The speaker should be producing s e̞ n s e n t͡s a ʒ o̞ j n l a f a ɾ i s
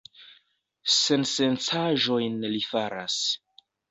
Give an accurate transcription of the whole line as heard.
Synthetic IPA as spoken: s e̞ n s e n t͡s a ʒ o̞ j n l i f a ɾ a s